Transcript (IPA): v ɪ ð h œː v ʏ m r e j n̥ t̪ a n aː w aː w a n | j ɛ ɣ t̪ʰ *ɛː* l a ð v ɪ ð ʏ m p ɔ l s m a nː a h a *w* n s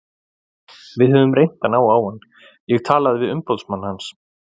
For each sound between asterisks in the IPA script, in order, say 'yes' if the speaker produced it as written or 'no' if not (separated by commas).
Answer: no, no